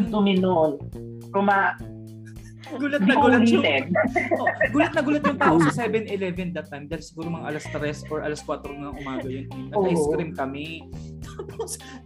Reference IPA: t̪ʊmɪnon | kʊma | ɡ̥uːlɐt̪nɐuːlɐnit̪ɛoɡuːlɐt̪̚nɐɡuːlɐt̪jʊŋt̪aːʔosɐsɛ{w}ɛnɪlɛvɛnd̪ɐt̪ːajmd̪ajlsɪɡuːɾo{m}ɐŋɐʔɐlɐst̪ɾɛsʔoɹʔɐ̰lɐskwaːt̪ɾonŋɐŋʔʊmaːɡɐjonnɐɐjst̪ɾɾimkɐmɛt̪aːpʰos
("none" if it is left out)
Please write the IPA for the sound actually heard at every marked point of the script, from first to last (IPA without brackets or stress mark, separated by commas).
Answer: b, m